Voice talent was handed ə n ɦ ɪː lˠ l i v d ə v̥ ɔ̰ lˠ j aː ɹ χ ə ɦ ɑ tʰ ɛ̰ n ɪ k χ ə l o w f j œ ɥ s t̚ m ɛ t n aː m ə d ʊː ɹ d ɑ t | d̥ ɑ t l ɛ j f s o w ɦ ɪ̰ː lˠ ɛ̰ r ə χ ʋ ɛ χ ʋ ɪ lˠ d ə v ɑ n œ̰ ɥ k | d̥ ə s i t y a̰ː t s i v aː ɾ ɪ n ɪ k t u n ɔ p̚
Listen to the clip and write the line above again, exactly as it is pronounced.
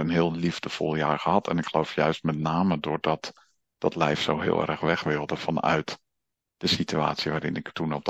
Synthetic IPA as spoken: ə n ɦ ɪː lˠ l i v d ə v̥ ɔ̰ lˠ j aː ɹ χ ə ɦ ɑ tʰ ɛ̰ n ɪ k χ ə l o w f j œ ɥ s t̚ m ɛ t n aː m ə d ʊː ɹ d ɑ t | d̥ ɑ t l ɛ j f s o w ɦ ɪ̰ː lˠ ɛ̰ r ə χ ʋ ɛ χ ʋ ɪ lˠ d ə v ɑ n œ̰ ɥ t | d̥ ə s i t y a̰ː t s i ʋ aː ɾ ɪ n ɪ k t u n ɔ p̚